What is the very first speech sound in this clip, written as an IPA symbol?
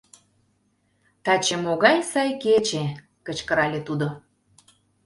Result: t̪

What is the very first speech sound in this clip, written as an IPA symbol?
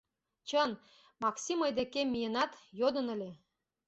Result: t͡ɕ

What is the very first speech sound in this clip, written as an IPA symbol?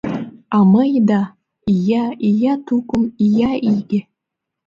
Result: a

